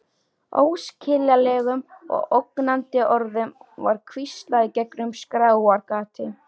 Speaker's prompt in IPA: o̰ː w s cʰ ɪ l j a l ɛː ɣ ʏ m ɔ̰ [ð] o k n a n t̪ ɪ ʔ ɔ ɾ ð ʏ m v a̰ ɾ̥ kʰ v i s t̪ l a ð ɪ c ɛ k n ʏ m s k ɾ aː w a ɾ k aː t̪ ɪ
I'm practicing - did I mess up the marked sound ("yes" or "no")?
yes